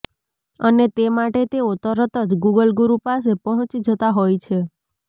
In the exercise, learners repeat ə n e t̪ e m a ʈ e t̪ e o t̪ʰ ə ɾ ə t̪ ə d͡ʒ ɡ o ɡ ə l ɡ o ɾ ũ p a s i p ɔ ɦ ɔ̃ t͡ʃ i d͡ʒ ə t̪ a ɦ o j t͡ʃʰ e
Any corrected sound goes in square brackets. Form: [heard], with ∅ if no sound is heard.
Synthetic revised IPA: ə n e t̪ e m a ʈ e t̪ e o [t̪] ə ɾ ə t̪ ə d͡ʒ ɡ [u] ɡ ə l ɡ [u] ɾ [u] p a s [e] p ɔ ɦ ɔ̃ t͡ʃ i d͡ʒ ə t̪ a ɦ o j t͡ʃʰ e